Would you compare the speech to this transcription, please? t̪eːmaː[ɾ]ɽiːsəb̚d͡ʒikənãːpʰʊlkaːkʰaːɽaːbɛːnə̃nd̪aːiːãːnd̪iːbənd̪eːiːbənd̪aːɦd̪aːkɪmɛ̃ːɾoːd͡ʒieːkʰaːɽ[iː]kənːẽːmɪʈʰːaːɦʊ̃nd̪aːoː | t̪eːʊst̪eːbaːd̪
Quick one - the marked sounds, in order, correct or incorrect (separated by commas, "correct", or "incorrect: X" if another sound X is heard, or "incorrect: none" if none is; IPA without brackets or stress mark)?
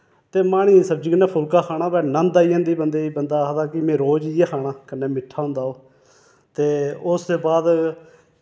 incorrect: none, incorrect: aː